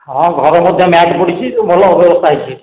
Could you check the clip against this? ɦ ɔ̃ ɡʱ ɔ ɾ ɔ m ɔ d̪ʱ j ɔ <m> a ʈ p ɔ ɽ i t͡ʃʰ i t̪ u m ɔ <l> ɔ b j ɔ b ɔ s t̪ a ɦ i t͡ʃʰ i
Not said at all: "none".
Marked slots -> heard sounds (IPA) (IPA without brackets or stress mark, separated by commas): m, l